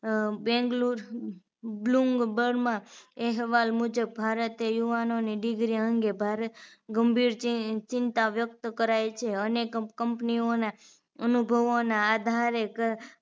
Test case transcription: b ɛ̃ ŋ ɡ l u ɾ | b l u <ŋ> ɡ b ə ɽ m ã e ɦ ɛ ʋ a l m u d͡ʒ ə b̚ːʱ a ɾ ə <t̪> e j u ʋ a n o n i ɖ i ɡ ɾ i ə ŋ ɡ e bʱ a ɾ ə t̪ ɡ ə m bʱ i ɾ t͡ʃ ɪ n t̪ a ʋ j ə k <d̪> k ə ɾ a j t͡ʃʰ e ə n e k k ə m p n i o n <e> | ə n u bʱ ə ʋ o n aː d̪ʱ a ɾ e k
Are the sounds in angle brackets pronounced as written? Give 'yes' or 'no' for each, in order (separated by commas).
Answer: yes, yes, no, no